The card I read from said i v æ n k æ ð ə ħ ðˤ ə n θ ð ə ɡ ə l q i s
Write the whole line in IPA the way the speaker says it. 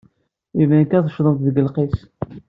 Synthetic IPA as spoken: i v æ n k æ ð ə ʃ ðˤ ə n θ ð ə ɡ ə l q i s